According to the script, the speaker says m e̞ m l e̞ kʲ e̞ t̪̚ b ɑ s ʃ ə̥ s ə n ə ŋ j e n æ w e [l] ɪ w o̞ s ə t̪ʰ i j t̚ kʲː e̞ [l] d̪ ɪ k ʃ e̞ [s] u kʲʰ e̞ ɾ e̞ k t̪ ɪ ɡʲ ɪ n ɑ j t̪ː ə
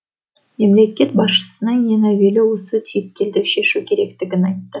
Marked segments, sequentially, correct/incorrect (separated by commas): correct, correct, incorrect